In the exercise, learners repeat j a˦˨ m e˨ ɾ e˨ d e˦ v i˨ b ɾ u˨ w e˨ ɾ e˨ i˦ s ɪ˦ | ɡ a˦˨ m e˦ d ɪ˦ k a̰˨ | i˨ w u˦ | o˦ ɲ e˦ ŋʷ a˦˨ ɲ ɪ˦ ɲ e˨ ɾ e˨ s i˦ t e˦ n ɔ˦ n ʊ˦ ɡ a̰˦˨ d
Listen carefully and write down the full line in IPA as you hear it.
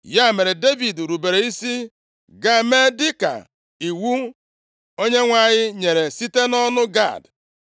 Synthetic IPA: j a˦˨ m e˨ ɾ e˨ d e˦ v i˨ d ɾ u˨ b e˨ ɾ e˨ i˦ s i˦ | ɡ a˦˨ m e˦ d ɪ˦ k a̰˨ | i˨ w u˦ | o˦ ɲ e˦ ŋʷ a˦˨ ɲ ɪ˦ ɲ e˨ ɾ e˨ s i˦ t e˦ n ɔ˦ n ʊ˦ ɡ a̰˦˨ d